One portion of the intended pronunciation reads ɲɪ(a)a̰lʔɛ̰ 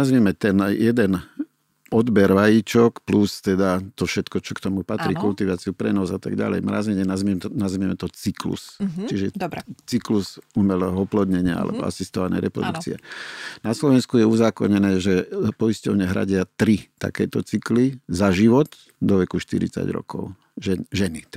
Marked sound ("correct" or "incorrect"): correct